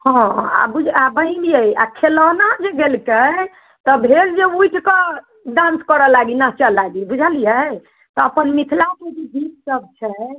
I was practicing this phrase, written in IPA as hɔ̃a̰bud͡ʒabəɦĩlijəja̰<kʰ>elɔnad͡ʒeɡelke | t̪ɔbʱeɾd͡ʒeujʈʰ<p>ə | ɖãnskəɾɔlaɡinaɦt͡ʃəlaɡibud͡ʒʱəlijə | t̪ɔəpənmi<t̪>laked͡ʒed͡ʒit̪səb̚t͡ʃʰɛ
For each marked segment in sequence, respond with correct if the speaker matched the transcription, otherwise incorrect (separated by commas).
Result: correct, incorrect, incorrect